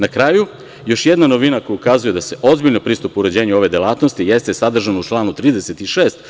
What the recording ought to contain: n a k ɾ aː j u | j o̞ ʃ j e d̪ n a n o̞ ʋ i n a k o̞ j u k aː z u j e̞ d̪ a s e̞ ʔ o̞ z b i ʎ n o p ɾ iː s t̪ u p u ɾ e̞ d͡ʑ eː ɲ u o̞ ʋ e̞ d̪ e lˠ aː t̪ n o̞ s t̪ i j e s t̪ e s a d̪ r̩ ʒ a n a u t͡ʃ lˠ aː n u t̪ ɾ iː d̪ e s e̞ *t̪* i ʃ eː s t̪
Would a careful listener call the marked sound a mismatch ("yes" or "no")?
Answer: no